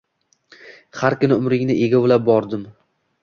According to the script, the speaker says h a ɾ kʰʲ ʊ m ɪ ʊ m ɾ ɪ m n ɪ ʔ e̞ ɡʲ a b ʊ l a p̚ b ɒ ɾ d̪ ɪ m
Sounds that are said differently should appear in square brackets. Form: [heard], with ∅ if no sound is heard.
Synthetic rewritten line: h a ɾ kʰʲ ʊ [n] ɪ ʊ m ɾ ɪ [ŋ] n ɪ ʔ e̞ ɡʲ a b ʊ l a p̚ b ɒ ɾ d̪ ɪ m